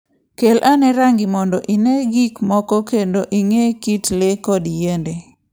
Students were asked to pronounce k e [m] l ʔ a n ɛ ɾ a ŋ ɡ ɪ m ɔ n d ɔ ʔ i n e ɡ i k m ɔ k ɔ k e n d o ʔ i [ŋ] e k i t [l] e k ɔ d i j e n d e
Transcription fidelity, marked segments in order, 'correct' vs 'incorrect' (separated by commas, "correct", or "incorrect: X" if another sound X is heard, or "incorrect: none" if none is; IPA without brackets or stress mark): incorrect: none, correct, correct